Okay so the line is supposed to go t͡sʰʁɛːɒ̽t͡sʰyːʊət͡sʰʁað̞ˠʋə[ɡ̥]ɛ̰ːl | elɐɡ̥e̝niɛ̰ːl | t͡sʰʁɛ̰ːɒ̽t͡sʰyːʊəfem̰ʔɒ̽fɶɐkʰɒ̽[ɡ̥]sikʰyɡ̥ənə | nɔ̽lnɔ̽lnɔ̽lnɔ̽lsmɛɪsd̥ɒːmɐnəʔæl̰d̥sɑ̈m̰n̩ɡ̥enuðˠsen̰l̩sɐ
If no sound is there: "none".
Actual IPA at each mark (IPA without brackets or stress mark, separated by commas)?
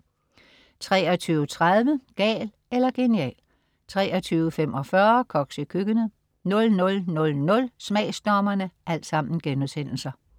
ɡ̥, ɡ̥